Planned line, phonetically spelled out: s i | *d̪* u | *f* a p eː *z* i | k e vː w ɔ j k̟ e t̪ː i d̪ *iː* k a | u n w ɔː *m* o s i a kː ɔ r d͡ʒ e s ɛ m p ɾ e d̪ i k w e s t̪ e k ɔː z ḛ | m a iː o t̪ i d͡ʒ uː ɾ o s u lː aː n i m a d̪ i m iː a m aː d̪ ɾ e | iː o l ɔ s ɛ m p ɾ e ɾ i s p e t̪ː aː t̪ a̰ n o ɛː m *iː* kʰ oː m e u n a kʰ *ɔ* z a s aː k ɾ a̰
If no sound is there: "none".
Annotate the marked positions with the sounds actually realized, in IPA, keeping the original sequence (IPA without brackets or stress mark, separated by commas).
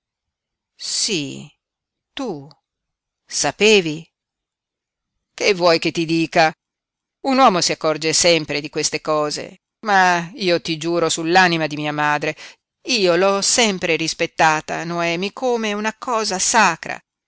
t̪, s, v, iː, m, i, ɔː